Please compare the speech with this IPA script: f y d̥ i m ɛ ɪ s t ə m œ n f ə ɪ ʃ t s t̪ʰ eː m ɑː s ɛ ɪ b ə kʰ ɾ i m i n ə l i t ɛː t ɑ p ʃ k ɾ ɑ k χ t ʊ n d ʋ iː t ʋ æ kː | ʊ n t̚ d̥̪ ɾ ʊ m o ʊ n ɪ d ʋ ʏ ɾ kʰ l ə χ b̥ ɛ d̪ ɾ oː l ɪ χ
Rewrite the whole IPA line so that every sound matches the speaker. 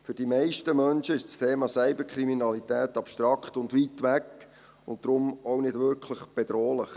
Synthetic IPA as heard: f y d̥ i m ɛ ɪ ʃ t ə m œ n ʃ ə ɪ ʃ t s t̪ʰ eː m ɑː s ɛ ɪ b ə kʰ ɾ i m i n ɑ l i t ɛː t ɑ p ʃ t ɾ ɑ k χ t ʊ n d ʋ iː t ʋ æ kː | ʊ n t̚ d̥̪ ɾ ʊ m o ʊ n ɪ d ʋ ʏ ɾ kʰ l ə χ b̥ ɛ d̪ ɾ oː l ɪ χ